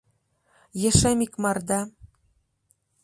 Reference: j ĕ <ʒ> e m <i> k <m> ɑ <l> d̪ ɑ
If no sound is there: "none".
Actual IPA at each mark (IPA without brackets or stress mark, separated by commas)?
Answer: ʃ, i, m, r